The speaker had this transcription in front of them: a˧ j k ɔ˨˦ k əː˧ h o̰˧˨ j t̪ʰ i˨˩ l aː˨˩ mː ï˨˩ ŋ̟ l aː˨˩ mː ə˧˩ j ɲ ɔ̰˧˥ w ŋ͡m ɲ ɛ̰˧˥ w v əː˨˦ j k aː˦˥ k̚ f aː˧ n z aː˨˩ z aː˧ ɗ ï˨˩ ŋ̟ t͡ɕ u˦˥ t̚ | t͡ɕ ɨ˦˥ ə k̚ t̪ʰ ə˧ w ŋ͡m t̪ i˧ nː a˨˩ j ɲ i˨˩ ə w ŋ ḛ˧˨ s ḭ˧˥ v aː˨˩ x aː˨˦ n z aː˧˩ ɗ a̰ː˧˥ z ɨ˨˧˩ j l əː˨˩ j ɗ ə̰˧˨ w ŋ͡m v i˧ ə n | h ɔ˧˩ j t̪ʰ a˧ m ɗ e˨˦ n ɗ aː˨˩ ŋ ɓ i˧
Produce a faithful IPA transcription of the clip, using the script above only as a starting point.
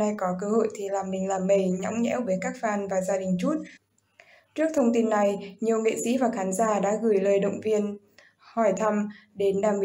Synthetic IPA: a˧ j k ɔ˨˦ k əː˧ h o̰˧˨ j t̪ʰ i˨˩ l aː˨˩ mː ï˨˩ ŋ̟ l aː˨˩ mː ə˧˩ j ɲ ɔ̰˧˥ w ŋ͡m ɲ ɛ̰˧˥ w v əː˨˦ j k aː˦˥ k̚ f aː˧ n v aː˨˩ z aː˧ ɗ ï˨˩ ŋ̟ t͡ɕ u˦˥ t̚ | t͡ɕ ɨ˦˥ ə k̚ t̪ʰ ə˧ w ŋ͡m t̪ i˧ nː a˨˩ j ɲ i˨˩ ə w ŋ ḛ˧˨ s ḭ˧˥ v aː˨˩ x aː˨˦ n z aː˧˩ ɗ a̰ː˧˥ ɣ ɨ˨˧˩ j l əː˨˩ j ɗ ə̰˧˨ w ŋ͡m v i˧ ə n | h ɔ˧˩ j t̪ʰ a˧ m ɗ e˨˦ n ɗ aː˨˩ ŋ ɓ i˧